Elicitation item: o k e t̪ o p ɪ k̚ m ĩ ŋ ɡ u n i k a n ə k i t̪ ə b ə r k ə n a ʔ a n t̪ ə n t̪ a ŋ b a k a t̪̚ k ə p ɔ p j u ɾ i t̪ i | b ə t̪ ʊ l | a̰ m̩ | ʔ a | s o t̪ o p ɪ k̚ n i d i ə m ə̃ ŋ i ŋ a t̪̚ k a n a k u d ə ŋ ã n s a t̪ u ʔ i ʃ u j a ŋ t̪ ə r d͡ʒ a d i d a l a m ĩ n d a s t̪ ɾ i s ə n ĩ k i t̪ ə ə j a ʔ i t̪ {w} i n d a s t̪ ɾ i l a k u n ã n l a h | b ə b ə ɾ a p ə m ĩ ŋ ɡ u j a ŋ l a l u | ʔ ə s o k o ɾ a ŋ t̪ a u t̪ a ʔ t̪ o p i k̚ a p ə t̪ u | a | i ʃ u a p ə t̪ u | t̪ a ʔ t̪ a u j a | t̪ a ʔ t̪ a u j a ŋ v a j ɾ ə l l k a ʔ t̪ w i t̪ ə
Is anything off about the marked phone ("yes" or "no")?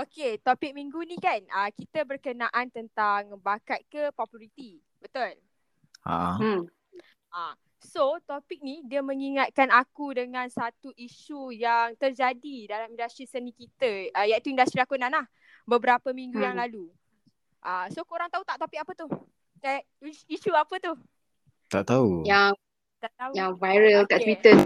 yes